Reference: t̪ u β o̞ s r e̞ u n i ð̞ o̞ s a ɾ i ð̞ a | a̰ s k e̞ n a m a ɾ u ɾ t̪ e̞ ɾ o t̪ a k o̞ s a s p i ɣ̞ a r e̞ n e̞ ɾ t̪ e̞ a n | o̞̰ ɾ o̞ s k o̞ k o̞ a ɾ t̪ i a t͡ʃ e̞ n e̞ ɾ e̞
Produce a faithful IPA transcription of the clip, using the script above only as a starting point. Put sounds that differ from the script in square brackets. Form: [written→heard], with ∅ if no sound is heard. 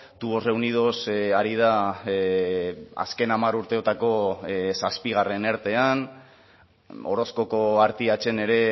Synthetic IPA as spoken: t̪ u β o̞ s r e̞ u n i ð̞ o̞ s a ɾ i ð̞ a | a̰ s k e̞ n a m a ɾ u ɾ t̪ e̞ [ɾ→∅] o t̪ a k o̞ s a s p i ɣ̞ a r e̞ n e̞ ɾ t̪ e̞ a n | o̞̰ ɾ o̞ s k o̞ k o̞ a ɾ t̪ i a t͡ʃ e̞ n e̞ ɾ e̞